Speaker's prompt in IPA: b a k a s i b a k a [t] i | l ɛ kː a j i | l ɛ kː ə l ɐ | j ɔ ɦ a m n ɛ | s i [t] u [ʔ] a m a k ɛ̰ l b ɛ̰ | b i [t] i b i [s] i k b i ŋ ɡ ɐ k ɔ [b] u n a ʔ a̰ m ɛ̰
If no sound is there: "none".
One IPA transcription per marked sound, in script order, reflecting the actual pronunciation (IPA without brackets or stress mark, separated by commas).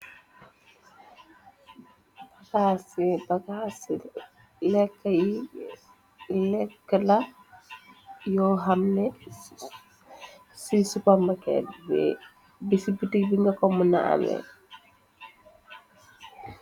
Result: s, s, p, s, t, m